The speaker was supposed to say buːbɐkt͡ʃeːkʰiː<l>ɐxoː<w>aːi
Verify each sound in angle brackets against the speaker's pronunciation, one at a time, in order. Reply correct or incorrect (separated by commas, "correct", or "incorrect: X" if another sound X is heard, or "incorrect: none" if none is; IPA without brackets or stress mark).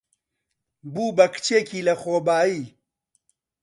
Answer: correct, incorrect: b